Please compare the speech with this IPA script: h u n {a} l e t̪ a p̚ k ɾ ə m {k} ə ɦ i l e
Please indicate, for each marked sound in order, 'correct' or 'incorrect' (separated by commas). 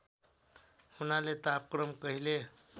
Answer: correct, correct